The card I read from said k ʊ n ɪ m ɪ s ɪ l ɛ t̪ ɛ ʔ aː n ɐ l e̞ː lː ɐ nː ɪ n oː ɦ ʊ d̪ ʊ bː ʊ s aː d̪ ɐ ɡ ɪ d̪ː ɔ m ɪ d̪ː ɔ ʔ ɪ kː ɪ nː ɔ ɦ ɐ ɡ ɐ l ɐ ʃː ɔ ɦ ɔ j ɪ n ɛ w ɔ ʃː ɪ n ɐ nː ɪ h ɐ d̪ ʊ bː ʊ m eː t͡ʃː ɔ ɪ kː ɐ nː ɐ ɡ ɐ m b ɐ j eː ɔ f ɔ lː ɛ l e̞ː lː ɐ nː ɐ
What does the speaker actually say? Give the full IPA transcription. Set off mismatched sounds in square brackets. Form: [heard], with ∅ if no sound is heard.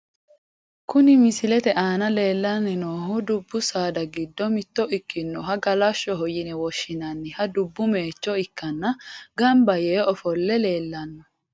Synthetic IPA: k ʊ n ɪ m ɪ s ɪ l ɛ t̪ ɛ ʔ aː n ɐ l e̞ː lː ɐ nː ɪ n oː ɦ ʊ d̪ ʊ bː ʊ s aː d̪ ɐ ɡ ɪ d̪ː ɔ m ɪ [t̪ː] ɔ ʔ ɪ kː ɪ nː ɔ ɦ ɐ ɡ ɐ l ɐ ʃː ɔ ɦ ɔ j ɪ n ɛ w ɔ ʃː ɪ n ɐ nː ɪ h ɐ d̪ ʊ bː ʊ m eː t͡ʃː ɔ ɪ kː ɐ nː ɐ ɡ ɐ m b ɐ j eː ɔ f ɔ lː ɛ l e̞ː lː ɐ nː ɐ